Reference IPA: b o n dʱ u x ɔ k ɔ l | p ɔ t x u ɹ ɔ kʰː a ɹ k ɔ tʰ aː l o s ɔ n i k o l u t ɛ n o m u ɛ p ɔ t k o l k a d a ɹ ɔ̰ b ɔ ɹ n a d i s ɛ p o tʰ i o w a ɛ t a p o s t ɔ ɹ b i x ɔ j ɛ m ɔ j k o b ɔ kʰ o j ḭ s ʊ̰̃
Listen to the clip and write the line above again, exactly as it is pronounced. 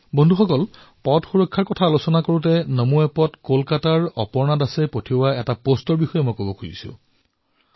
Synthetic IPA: b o n dʱ u x ɔ k ɔ l | p ɔ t x u ɹ ɔ kʰː a ɹ k ɔ tʰ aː l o s ɔ n a k o ɹ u t ɛ n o m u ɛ p ɔ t k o l k a t a ɹ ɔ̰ p ɔ ɹ n a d a s ɛ p o tʰ i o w a ɛ t a p o s t ɔ ɹ b i x ɔ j ɛ m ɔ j k o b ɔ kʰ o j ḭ s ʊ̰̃